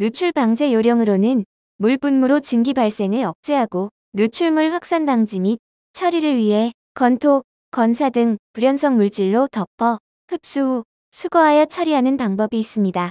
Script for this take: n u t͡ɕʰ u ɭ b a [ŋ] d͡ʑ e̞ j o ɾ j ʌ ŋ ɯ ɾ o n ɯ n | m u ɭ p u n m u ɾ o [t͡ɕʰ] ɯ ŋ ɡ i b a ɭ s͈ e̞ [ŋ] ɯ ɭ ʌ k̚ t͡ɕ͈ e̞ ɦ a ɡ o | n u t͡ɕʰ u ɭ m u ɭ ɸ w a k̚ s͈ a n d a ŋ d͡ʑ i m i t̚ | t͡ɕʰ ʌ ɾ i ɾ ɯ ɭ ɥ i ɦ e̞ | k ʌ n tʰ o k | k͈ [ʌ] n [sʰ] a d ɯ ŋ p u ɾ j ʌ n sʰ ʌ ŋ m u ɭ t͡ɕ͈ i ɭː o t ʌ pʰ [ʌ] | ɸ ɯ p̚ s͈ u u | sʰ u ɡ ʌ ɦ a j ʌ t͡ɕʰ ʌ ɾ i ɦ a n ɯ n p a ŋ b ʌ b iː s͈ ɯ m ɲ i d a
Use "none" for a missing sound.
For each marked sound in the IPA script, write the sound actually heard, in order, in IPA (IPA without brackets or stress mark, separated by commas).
ŋ, t͡ɕ, ŋ, ʌ, sʰ, ʌ